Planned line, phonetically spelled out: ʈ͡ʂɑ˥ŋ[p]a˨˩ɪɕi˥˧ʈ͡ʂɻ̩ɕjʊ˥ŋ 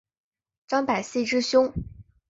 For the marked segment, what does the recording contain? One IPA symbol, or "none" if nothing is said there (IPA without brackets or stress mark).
p